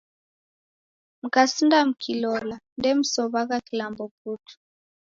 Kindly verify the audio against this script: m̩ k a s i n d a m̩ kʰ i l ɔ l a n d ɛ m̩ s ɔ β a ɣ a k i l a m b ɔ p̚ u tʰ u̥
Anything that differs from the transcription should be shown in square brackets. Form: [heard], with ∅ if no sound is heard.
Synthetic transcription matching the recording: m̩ k a s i n d a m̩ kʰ i l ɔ l a n d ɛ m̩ s ɔ β a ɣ a k i l a m b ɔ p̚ u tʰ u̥